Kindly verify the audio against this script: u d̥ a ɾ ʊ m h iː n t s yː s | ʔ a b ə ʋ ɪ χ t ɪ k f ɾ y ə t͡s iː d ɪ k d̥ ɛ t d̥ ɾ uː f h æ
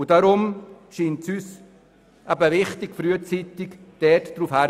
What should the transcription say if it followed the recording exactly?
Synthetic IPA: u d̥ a ɾ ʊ m ʃ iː n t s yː s | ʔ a b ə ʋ ɪ χ t ɪ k f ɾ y ə t͡s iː t ɪ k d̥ ɛ t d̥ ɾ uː f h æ